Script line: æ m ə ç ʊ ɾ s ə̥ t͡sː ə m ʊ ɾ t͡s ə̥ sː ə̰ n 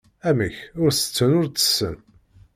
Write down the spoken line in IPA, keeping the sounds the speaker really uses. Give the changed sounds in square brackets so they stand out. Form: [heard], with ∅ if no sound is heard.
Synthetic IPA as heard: æ m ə ç ʊ ɾ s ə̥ t͡sː ə [n] ʊ ɾ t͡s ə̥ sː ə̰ n